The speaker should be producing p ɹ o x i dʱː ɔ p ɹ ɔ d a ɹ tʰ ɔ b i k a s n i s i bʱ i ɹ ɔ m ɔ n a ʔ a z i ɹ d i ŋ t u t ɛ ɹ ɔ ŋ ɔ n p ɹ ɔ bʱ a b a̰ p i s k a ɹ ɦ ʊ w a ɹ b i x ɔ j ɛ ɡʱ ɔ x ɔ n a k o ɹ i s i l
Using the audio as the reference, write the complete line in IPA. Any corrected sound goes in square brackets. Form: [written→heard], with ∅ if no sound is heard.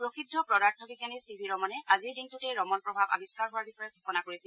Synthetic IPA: p ɹ o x i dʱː ɔ p ɹ ɔ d a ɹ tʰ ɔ b i k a [s→∅] n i s i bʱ i ɹ ɔ m ɔ n [a→ɛ] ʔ a z i ɹ d i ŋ t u t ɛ ɹ ɔ [ŋ→m] ɔ n p ɹ ɔ bʱ a b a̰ [p→b] i s k a ɹ ɦ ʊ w a ɹ b i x ɔ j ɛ ɡʱ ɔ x ɔ n a k o ɹ i s i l